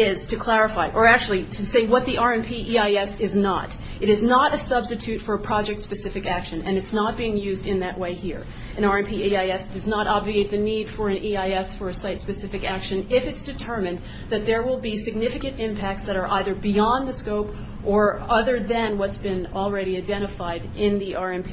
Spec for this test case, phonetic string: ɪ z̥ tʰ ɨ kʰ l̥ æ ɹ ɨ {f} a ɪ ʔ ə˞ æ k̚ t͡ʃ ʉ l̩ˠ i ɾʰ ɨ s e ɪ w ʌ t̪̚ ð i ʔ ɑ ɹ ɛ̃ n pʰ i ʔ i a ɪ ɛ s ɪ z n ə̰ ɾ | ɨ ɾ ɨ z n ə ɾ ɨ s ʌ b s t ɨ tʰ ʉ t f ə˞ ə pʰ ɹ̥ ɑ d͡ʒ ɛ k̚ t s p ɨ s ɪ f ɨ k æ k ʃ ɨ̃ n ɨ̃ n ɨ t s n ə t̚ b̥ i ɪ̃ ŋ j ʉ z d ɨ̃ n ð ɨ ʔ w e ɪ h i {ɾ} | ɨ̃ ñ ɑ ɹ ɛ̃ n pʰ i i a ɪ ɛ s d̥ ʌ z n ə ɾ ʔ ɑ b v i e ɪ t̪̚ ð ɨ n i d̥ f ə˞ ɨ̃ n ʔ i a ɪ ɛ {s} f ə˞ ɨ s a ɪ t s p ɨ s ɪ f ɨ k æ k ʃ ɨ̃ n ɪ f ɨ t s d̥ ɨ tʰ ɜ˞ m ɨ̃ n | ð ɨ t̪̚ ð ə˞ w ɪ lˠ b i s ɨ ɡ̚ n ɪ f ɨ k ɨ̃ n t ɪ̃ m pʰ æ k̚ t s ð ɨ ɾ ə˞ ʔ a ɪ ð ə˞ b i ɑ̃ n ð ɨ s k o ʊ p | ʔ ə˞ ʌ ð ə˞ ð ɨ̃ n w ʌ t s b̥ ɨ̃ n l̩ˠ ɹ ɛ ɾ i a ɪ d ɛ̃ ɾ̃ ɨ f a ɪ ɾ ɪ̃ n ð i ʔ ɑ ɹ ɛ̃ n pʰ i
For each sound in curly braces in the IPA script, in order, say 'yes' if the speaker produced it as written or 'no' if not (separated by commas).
yes, no, yes